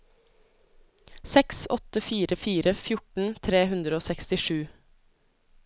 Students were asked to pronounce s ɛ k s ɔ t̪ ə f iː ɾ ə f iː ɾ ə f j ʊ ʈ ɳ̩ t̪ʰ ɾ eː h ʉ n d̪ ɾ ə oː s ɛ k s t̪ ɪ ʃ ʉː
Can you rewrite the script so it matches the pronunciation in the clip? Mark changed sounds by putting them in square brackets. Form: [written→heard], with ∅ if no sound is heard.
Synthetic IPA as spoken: s ɛ k s ɔ t̪ ə f iː ɾ ə f iː ɾ ə f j ʊ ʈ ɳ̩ t̪ʰ ɾ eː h ʉ n d̪ ɾ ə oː s ɛ k s t̪ ɪ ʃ ʉː